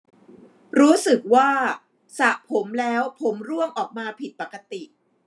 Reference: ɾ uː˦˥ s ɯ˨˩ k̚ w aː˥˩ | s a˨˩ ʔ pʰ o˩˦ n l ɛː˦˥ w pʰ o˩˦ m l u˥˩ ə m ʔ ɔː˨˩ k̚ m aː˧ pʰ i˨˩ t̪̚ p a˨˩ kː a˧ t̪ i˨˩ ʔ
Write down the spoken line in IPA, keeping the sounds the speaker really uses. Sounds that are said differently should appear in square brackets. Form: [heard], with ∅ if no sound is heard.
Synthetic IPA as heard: ɾ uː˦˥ s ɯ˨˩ k̚ w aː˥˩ | s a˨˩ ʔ pʰ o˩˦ [m] l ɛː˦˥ w pʰ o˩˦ m [ɾ] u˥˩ ə [ŋ] ʔ ɔː˨˩ k̚ m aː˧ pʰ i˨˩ t̪̚ p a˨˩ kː a˧ t̪ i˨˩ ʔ